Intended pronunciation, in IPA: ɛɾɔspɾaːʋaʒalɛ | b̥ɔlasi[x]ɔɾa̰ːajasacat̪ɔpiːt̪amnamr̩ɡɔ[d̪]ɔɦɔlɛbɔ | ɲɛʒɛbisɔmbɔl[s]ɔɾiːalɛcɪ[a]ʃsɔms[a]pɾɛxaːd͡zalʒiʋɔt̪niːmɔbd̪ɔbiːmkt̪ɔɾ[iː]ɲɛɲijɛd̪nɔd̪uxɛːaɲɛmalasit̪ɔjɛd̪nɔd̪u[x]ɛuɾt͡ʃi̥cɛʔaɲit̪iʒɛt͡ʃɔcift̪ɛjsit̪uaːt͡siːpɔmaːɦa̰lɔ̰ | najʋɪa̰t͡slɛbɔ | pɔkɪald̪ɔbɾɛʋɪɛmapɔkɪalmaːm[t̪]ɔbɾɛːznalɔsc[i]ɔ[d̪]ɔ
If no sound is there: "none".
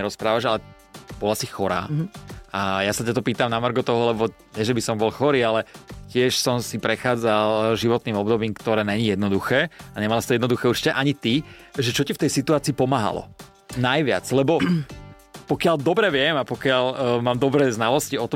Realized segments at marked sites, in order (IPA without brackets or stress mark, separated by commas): x, t̪, x, ɛ, i, ɛː, x, d̪, i, t̪